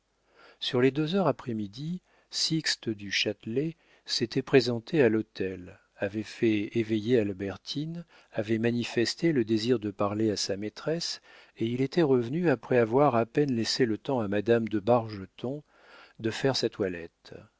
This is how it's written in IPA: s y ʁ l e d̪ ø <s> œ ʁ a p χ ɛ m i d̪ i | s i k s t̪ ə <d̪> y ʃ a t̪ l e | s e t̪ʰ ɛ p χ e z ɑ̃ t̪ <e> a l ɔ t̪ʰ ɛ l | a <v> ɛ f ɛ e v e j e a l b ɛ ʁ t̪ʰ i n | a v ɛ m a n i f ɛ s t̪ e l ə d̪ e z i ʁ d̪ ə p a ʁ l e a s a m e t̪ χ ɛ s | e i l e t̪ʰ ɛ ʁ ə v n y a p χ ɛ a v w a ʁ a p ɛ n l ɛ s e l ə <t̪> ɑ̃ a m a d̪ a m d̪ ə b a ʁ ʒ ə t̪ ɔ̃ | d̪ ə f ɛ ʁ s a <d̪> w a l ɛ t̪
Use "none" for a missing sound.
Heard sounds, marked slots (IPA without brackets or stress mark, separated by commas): z, d̪, e, v, t̪, t̪